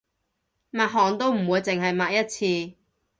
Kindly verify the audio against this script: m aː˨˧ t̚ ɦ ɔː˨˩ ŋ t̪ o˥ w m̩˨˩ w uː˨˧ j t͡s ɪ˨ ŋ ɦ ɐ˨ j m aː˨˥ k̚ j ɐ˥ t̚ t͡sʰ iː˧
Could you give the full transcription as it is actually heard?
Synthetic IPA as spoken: m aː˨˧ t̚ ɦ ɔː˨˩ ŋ t̪ o˥ w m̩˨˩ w uː˨˧ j t͡s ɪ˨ ŋ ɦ ɐ˨ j m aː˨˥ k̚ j ɐ˥ t̚ t͡sʰ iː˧